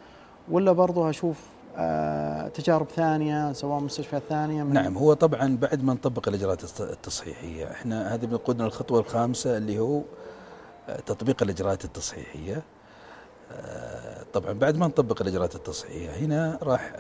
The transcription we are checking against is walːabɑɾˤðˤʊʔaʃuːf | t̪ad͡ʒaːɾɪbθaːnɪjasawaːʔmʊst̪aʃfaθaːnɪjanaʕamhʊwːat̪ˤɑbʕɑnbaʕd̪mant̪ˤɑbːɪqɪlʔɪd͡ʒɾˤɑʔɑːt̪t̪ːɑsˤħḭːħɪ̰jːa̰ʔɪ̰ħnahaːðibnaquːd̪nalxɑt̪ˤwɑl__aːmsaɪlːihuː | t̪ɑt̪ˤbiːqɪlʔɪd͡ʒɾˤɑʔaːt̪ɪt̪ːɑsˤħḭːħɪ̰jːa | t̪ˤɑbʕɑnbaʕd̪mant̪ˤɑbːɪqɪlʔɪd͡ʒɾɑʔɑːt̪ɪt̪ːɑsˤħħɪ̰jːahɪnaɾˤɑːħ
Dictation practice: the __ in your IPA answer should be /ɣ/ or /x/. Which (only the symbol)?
x